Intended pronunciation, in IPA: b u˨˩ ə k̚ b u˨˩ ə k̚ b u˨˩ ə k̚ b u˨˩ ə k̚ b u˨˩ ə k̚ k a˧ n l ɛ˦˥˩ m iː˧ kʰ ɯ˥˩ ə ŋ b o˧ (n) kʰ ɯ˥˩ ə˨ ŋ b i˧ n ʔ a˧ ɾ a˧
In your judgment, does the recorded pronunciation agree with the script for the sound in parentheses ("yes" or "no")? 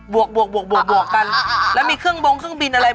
no